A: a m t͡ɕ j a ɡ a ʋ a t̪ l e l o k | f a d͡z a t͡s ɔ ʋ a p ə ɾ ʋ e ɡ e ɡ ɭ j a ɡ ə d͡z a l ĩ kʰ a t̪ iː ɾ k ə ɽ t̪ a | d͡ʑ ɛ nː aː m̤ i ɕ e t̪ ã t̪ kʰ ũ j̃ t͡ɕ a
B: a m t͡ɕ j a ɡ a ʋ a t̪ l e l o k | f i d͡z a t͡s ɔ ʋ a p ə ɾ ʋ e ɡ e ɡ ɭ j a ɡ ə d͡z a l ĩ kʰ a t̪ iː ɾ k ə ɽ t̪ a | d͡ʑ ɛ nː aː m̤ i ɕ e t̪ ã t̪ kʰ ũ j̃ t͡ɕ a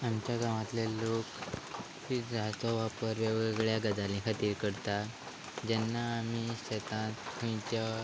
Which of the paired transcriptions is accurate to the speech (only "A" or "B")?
B